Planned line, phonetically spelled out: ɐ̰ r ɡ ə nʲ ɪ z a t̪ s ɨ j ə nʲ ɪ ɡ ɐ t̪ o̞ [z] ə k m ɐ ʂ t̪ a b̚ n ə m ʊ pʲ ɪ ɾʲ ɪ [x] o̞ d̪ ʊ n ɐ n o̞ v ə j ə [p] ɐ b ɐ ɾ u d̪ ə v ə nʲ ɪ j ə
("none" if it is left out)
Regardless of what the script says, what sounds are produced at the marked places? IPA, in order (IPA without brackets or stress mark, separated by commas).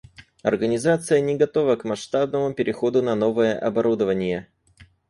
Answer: v, x, ʔ